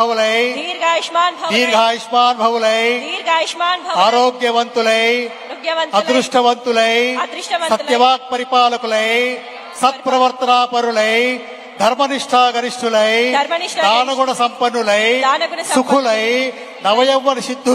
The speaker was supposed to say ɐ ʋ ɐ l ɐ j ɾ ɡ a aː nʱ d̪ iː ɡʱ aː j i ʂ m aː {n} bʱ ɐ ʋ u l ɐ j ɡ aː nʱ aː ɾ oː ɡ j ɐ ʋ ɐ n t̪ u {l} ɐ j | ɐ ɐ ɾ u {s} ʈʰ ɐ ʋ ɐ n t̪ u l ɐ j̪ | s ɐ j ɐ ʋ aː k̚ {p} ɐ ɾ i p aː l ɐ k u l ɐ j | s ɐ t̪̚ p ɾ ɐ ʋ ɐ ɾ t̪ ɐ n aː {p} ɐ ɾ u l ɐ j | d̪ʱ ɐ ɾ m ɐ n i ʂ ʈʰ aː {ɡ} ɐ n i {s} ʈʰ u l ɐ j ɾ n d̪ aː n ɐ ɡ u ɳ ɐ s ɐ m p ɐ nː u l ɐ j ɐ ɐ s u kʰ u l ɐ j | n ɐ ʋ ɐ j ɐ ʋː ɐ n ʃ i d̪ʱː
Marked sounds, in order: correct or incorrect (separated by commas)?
correct, correct, incorrect, correct, correct, correct, incorrect